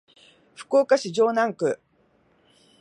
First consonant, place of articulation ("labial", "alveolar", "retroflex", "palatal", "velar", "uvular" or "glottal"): labial